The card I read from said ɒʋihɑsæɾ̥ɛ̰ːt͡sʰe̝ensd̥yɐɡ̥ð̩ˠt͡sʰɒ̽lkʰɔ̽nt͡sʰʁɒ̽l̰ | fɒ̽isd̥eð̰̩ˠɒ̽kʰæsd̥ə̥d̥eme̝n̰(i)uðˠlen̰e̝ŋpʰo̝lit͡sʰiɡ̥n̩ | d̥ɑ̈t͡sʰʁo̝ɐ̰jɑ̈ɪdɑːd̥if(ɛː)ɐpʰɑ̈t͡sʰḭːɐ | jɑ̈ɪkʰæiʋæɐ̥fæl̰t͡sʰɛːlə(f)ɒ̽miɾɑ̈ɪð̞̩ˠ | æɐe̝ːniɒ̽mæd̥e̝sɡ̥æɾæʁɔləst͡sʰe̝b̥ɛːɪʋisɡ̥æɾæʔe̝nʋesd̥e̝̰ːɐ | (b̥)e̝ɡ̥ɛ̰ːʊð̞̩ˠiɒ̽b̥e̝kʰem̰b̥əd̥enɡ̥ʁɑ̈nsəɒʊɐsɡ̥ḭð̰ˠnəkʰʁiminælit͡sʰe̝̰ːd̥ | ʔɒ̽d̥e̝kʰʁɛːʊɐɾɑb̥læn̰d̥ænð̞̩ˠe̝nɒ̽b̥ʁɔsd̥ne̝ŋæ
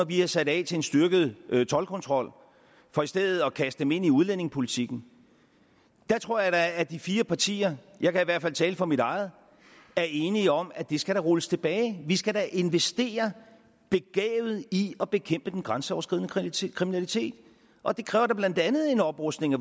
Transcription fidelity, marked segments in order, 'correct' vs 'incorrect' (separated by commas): correct, incorrect, correct, correct